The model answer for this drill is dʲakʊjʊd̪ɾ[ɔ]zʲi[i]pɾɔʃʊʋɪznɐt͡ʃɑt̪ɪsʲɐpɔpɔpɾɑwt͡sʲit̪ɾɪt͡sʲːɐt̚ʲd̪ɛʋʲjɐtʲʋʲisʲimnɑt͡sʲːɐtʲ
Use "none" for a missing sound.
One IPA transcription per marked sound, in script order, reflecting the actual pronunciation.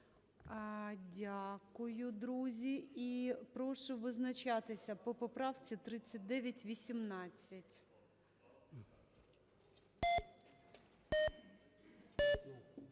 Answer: u, i

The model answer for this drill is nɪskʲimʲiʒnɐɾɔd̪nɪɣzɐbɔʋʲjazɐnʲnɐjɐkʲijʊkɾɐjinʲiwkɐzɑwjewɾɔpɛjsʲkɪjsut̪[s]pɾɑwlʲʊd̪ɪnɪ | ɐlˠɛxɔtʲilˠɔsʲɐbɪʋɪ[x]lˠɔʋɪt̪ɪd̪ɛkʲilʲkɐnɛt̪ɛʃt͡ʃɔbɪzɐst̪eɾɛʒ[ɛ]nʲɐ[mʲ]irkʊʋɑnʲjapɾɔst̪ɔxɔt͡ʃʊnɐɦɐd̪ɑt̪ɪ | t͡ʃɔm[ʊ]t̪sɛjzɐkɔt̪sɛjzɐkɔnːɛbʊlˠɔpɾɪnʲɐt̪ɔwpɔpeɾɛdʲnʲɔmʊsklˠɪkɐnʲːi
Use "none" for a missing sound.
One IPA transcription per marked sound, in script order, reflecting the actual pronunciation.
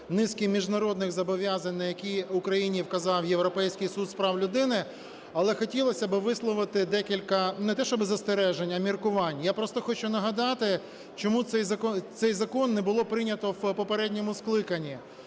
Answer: s, s, e, mʲ, u

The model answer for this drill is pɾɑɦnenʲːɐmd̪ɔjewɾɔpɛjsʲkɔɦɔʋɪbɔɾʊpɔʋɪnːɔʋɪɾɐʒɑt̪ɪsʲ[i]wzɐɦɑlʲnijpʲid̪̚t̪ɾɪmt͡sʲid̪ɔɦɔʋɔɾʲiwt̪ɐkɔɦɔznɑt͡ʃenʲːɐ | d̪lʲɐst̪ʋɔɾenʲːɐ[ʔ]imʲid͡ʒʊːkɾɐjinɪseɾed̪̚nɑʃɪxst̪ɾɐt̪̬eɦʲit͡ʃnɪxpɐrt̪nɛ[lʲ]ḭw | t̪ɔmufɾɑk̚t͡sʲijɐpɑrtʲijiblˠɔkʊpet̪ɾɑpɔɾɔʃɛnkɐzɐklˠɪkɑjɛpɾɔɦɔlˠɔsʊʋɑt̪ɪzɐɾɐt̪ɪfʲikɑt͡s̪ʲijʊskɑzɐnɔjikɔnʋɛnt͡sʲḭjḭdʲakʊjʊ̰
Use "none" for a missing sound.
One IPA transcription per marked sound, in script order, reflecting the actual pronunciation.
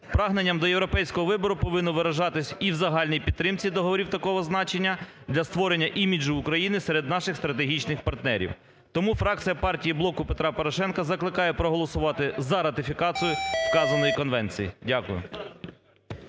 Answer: i, ʔ, ɾʲ

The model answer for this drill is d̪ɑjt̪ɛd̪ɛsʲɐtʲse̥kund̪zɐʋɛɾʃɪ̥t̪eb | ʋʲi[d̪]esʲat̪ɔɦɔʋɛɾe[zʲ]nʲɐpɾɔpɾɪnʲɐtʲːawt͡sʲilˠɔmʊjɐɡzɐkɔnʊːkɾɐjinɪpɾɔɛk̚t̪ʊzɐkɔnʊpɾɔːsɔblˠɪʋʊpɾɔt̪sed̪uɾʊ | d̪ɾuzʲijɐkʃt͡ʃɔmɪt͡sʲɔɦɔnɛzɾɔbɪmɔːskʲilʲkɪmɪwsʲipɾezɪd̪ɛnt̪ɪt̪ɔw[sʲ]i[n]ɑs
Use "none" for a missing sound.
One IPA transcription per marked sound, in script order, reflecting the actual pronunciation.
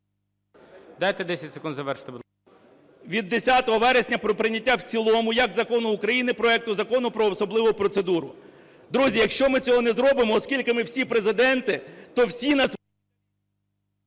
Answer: d̪ː, sʲ, sʲ, n

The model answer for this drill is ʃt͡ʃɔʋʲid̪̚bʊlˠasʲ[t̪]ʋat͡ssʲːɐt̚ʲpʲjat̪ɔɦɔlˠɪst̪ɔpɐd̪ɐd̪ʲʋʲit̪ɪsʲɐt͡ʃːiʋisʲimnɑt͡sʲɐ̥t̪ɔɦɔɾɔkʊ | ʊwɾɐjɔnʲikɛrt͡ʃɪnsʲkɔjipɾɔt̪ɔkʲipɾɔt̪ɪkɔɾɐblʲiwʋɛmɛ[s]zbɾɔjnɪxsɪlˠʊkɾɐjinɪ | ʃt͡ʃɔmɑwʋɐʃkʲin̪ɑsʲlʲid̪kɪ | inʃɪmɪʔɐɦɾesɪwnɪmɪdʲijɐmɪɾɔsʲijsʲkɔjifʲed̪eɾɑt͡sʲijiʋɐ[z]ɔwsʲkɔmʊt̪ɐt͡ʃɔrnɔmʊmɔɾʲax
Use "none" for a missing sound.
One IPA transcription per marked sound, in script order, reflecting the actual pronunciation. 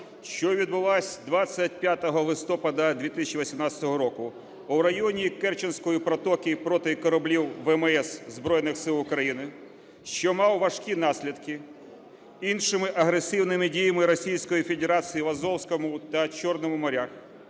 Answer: d̪, s, z

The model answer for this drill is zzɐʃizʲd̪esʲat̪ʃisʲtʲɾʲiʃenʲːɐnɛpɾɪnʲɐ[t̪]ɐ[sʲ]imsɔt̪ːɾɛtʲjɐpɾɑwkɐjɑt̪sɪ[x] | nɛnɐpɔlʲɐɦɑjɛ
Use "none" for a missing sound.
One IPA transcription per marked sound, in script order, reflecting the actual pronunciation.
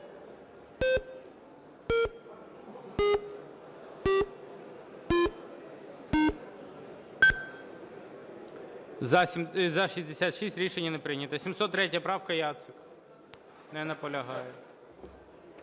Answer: t̪, sʲ, k

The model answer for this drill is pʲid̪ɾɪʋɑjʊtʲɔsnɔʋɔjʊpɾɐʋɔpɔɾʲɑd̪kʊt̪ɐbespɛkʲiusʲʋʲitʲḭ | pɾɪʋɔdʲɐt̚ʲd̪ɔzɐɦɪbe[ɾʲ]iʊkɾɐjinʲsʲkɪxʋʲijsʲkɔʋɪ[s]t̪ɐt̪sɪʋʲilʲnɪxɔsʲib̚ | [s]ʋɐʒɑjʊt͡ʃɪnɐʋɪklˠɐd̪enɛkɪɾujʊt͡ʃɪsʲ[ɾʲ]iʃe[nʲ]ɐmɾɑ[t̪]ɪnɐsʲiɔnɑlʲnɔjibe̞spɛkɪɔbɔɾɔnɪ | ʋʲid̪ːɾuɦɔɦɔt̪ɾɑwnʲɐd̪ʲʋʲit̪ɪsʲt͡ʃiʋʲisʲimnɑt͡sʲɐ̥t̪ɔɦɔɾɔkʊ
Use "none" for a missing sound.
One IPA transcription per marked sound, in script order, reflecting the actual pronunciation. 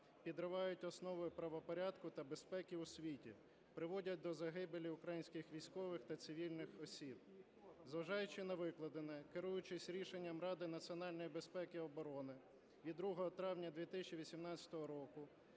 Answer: lʲ, x, z, ɾʲ, nʲː, d̪

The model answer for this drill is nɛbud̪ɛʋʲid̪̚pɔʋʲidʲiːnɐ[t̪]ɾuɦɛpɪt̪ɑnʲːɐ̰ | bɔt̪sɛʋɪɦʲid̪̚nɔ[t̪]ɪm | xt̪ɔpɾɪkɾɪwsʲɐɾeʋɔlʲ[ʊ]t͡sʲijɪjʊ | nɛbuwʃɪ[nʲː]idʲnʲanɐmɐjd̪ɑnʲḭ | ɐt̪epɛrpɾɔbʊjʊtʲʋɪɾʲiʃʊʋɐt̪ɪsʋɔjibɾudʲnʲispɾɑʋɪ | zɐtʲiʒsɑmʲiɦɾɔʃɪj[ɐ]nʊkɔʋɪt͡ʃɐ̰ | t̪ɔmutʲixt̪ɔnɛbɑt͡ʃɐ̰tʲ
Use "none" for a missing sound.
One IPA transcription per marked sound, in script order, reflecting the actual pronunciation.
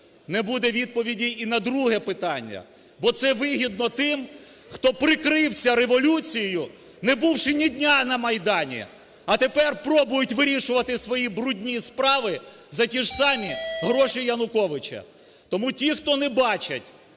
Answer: d̪, t̪, u, nʲ, ɐ

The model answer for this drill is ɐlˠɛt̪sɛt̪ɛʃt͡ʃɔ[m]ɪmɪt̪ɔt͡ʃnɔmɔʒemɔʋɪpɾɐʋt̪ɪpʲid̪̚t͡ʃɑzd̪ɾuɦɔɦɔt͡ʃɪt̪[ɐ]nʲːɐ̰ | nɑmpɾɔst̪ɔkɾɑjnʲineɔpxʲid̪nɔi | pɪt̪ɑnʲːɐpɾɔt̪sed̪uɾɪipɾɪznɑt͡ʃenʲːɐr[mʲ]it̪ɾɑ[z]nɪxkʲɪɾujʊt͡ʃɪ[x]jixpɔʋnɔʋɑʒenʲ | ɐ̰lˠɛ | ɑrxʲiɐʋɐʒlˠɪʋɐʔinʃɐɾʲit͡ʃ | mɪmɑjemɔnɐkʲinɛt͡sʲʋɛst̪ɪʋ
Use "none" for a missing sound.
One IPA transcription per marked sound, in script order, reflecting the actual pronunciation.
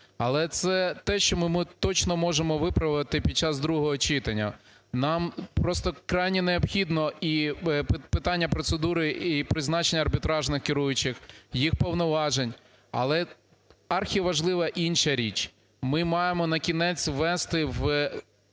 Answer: m, ɐ, bʲ, ʒ, x

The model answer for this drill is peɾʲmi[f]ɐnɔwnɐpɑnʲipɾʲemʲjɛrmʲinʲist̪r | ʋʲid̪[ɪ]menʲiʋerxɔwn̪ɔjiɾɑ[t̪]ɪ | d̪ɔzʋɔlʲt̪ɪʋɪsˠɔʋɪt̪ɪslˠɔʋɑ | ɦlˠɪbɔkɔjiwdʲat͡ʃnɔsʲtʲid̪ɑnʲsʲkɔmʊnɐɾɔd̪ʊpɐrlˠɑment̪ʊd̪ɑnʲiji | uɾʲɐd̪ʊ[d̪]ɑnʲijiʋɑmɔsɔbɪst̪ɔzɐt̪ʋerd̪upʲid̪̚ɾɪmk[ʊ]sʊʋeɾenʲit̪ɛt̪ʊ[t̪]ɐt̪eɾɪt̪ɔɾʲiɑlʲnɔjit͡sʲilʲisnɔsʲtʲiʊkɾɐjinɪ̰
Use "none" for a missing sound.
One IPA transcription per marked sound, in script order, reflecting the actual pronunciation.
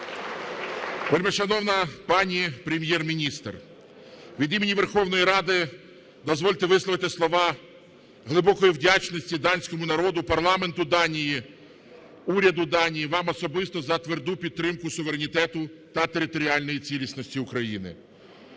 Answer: ʃ, i, d̪, d̪, ʊ, t̪

